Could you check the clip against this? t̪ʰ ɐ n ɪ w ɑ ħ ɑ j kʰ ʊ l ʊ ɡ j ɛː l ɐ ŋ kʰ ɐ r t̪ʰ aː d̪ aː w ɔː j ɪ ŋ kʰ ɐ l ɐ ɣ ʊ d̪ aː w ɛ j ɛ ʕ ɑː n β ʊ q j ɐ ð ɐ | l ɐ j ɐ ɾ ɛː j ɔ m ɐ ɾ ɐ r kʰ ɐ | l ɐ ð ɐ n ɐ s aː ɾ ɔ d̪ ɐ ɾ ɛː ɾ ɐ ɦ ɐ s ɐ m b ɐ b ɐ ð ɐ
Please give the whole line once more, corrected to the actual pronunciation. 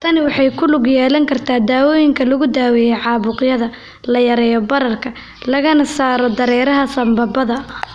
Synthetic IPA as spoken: t̪ʰ ɐ n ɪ w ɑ ħ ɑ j kʰ ʊ l ʊ ɡ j ɛː l ɐ ŋ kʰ ɐ r t̪ʰ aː d̪ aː w ɔː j ɪ ŋ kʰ ɐ l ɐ ɣ ʊ d̪ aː w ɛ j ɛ ʕ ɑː β ʊ q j ɐ ð ɐ | l ɐ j ɐ ɾ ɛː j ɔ b ɐ ɾ ɐ r kʰ ɐ | l ɐ ɣ ɐ n ɐ s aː ɾ ɔ d̪ ɐ ɾ ɛː ɾ ɐ ɦ ɐ s ɐ m b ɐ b ɐ ð ɐ